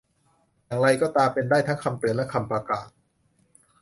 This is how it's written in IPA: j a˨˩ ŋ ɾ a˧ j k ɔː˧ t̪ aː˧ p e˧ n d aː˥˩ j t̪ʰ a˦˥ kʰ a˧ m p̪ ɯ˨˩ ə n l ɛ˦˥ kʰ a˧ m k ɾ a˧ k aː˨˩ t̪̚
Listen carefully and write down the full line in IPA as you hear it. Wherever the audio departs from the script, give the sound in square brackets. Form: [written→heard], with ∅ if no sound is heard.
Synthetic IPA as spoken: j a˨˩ ŋ ɾ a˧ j k [ɔː˧→ɔː˥˩] t̪ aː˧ p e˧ n d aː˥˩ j t̪ʰ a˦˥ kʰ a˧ m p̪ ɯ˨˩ ə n l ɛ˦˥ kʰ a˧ m [k→p] ɾ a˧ k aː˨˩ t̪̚